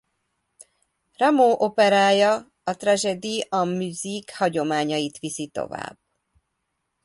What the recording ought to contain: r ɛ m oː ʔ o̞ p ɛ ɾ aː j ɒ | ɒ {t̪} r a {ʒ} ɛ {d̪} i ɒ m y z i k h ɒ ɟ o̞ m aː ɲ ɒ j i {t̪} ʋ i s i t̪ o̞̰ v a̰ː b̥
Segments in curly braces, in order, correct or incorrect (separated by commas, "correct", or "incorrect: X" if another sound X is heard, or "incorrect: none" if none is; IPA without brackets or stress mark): correct, correct, correct, correct